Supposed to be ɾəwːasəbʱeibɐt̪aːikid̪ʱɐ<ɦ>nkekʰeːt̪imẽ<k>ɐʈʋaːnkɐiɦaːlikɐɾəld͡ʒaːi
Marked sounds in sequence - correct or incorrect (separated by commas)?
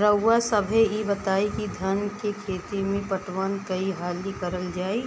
incorrect, incorrect